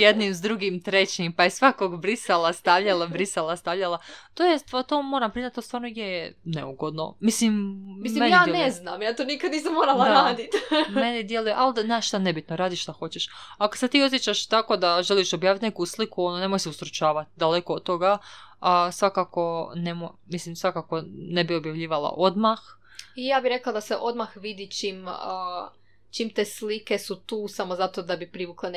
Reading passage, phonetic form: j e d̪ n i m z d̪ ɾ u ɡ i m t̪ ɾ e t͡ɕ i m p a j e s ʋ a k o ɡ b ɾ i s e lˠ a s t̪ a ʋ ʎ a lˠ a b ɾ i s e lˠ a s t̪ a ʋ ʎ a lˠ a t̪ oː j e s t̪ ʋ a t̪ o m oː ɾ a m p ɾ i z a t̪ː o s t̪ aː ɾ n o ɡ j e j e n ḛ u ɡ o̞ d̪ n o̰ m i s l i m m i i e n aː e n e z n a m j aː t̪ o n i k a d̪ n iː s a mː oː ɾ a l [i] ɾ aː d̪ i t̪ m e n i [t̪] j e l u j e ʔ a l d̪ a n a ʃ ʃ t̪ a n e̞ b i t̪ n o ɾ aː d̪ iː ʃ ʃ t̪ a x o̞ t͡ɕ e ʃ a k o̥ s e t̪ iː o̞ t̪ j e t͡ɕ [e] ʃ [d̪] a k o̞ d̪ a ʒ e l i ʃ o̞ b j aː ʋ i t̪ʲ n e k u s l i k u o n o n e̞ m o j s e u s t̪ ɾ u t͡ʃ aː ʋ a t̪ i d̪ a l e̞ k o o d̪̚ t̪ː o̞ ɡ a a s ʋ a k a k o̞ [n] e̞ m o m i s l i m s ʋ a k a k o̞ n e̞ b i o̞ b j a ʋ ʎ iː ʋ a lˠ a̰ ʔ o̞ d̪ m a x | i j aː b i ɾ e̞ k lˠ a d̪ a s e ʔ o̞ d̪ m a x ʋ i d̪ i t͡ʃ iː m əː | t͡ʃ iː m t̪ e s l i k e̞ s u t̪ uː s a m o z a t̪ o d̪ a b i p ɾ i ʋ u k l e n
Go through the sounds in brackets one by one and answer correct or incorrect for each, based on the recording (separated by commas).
incorrect, incorrect, incorrect, incorrect, correct